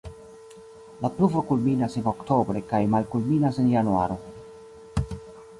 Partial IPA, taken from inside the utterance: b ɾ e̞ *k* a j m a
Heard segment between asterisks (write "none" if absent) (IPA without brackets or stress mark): k